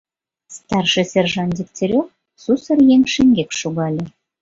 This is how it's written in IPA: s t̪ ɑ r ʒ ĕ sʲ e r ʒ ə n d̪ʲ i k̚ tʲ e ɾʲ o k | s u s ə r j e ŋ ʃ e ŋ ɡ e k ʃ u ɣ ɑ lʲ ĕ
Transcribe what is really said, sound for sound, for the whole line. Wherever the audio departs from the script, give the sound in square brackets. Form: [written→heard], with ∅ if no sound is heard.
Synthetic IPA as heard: s t̪ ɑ r [ʒ→ʃ] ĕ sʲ e r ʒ [ə→ɑ] n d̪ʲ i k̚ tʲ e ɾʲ o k | s u s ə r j e ŋ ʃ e ŋ ɡ e k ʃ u ɣ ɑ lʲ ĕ